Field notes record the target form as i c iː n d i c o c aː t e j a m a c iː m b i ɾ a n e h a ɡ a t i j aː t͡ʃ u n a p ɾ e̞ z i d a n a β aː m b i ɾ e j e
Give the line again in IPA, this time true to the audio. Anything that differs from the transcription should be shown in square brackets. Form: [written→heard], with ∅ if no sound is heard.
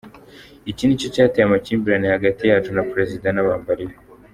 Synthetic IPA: i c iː n d i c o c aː t e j a m a c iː m b i ɾ a n e h a ɡ a t i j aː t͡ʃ u n a p ɾ e̞ z i d a n a β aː m b [i→a] ɾ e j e